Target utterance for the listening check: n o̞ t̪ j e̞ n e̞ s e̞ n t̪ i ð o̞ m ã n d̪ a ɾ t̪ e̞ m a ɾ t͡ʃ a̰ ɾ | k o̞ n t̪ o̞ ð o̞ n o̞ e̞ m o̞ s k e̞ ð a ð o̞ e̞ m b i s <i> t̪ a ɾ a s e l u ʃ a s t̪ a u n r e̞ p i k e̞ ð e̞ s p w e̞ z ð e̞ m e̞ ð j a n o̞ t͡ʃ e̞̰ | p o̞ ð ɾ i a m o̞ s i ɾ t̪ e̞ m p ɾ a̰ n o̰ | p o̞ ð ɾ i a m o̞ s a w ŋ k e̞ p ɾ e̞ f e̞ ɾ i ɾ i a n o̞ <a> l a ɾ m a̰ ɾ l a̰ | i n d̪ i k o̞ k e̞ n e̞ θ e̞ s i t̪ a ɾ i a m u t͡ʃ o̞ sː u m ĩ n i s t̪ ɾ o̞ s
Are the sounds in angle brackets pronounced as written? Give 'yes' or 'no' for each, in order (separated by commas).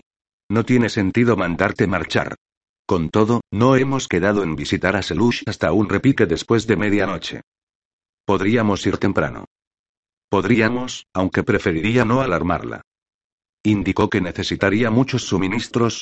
yes, yes